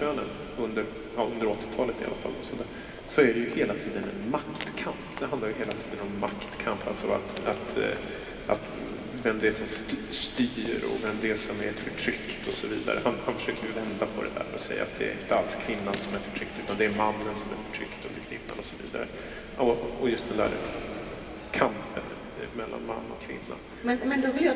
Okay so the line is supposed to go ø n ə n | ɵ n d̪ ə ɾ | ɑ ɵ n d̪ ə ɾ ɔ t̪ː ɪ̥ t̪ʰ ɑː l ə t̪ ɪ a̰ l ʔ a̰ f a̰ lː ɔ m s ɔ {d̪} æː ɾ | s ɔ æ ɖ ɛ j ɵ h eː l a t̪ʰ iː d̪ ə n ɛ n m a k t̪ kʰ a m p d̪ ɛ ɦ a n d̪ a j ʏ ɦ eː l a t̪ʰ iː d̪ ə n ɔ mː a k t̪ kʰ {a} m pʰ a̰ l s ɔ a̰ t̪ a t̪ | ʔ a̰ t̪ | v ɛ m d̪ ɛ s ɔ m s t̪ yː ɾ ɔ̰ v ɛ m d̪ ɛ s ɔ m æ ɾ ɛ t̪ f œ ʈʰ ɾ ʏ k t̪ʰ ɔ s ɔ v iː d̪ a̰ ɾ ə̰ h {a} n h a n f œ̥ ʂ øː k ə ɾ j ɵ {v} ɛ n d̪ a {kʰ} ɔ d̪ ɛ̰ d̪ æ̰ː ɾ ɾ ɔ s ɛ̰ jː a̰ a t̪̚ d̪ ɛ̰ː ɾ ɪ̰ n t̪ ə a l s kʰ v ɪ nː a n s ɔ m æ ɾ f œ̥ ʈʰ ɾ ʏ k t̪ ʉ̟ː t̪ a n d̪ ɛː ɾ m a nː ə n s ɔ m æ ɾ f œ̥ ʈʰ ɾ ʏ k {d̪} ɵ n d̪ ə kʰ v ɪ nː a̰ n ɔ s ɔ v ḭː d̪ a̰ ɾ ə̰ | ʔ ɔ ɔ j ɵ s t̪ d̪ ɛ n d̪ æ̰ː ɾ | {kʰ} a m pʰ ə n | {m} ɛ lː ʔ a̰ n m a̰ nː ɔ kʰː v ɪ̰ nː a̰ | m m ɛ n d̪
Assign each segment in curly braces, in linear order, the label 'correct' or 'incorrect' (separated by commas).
correct, correct, correct, correct, incorrect, incorrect, correct, correct